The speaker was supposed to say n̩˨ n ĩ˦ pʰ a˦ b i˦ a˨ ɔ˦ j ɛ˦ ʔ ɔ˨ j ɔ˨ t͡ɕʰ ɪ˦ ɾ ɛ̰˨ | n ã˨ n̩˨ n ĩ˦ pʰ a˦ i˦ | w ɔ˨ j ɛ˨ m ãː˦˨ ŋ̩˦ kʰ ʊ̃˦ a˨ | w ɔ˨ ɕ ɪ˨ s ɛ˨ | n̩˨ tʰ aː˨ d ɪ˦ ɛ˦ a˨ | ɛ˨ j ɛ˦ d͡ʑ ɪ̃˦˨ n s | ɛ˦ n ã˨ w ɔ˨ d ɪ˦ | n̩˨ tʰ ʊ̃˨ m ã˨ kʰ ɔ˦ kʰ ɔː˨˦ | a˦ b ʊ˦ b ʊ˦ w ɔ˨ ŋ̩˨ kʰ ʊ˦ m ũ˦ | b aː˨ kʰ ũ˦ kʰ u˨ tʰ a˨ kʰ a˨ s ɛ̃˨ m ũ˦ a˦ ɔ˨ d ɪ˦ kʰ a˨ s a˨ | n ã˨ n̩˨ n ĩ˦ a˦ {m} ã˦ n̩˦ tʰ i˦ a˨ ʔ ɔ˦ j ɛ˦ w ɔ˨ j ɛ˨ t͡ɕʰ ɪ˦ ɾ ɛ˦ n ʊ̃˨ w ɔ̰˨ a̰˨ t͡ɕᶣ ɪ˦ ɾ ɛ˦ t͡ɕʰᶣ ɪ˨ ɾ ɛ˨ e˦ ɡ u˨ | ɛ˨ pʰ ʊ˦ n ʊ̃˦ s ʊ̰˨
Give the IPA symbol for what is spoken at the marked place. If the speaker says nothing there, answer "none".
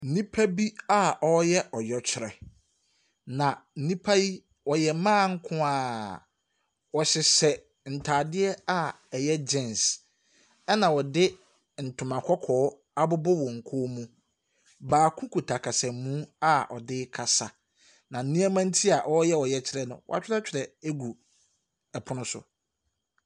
m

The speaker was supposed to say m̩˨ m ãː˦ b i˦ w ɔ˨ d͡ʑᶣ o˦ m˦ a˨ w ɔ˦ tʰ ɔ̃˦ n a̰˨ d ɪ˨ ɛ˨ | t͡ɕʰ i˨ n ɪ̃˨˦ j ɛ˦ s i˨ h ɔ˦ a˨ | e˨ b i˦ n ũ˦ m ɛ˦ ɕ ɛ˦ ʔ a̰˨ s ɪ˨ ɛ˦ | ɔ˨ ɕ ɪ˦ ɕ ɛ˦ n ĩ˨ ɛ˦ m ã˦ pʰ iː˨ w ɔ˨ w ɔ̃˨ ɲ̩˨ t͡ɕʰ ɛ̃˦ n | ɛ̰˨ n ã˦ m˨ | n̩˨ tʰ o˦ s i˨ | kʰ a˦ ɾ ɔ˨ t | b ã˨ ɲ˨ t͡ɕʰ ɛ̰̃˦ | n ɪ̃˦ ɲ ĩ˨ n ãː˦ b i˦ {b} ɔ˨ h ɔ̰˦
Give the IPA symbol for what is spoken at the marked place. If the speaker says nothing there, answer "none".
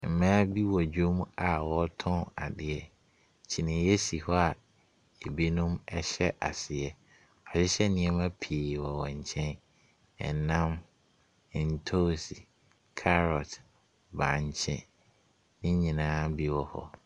w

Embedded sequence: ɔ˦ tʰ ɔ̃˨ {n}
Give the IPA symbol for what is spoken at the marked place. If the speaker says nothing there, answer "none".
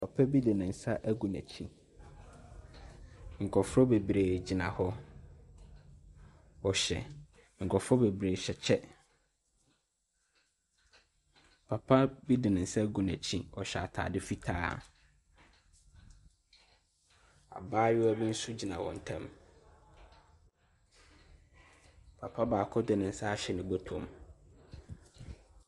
m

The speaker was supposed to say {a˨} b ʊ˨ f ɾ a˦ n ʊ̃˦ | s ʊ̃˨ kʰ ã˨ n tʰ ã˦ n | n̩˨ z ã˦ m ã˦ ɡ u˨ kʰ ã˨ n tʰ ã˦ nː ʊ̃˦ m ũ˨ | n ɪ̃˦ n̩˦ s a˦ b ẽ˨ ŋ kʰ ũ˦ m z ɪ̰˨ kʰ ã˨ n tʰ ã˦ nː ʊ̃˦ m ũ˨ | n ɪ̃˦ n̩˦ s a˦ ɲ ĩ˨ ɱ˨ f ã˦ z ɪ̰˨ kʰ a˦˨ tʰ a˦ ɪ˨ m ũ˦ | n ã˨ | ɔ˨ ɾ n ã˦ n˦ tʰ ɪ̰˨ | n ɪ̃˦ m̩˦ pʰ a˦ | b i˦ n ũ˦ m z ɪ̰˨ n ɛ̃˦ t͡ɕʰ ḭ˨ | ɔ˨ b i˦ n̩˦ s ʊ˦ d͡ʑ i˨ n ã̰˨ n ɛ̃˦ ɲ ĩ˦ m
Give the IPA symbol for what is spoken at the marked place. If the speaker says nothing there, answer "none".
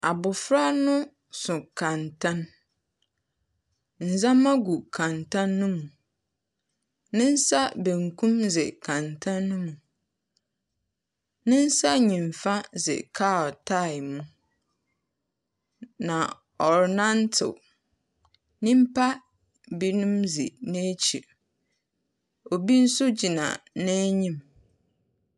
a˨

